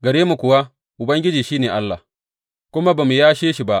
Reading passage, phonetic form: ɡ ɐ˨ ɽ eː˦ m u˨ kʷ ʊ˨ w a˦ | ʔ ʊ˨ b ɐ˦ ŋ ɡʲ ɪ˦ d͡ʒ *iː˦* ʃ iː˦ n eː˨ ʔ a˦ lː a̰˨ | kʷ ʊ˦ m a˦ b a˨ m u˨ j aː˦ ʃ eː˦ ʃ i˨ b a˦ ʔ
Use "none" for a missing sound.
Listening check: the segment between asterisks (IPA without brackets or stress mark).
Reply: iː˨